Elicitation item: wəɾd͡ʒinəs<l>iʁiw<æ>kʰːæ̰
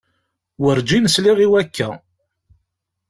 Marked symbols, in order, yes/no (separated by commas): yes, yes